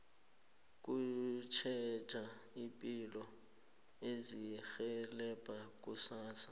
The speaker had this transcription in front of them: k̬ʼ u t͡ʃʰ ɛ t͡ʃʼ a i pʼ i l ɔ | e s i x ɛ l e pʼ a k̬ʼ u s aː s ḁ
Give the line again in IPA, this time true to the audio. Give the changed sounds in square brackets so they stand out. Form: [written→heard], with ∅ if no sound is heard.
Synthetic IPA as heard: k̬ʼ u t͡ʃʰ ɛ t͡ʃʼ a i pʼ i l ɔ | e [s→z] i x ɛ l [e→ɛ] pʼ a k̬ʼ u s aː s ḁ